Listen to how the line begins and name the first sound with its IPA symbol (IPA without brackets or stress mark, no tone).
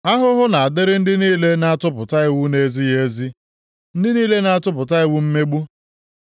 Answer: a